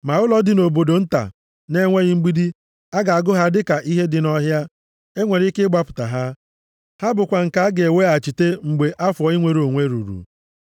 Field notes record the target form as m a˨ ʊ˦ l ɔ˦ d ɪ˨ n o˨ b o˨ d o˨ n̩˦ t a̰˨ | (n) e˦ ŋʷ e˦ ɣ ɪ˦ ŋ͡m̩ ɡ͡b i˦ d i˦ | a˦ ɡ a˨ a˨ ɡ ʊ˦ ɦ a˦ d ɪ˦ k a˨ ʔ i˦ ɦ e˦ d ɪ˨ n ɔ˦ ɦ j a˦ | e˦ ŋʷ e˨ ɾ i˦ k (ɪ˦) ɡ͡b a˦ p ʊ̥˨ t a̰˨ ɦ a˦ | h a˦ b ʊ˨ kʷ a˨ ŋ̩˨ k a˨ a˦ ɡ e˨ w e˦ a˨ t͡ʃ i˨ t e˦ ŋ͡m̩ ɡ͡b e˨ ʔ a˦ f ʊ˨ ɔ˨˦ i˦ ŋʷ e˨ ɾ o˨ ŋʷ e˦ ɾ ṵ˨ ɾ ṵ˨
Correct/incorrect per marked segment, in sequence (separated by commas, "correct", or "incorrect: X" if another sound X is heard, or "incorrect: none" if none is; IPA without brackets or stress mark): correct, correct